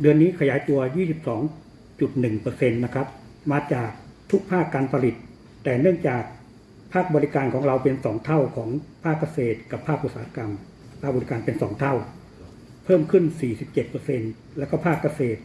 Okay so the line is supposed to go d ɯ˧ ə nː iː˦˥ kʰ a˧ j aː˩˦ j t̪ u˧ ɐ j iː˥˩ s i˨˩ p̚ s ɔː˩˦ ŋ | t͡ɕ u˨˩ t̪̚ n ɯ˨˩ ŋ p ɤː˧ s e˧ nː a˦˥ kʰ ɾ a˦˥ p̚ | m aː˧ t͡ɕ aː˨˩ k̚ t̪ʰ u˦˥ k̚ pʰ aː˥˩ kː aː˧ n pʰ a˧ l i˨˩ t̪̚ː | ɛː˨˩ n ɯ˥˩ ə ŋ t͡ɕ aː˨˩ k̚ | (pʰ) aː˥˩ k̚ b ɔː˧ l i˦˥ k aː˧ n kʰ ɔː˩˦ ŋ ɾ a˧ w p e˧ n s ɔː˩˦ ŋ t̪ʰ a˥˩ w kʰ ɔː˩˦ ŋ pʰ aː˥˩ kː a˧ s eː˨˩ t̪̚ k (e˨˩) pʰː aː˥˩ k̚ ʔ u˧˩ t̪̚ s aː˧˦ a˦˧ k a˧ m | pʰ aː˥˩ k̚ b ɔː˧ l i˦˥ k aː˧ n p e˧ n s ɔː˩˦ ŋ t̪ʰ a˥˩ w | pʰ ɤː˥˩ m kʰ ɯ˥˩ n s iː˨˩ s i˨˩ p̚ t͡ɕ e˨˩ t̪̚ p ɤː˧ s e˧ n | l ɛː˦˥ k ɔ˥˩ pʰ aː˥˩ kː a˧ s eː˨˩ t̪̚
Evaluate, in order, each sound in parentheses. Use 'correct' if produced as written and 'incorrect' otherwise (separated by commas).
correct, incorrect